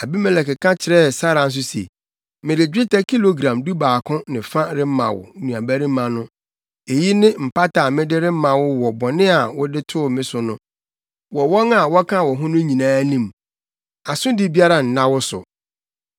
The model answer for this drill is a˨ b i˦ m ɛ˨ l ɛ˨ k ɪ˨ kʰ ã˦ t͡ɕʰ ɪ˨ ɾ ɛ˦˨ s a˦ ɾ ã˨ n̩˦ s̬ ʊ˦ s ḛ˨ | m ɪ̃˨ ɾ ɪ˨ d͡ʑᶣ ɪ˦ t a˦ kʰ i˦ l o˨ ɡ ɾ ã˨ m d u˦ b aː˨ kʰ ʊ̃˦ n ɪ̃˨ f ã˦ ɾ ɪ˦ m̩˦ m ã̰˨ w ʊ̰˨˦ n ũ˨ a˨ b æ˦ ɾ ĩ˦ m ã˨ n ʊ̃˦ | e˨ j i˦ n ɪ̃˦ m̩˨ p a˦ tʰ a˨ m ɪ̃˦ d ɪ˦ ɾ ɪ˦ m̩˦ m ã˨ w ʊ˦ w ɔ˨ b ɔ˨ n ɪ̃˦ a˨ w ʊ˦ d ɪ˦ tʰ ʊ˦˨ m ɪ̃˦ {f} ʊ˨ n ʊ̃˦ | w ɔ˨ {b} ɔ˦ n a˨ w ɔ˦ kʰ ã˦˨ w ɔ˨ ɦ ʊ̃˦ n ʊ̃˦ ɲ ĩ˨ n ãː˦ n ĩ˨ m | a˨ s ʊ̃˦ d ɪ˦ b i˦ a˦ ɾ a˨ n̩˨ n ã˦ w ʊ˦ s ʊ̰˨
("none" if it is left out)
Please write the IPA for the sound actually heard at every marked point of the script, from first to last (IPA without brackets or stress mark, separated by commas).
s, w